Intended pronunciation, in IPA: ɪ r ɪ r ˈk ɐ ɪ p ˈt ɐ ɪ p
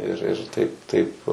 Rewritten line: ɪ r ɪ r ˈt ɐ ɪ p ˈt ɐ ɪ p